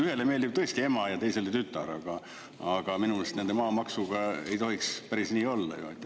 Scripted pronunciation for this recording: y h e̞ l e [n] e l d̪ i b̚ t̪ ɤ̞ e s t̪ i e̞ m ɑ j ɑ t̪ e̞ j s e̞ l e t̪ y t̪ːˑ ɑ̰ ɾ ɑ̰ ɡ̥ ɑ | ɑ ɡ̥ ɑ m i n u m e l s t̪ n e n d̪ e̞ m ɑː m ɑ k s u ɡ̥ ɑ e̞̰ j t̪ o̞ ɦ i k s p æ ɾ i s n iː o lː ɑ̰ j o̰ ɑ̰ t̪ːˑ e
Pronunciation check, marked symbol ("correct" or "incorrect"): incorrect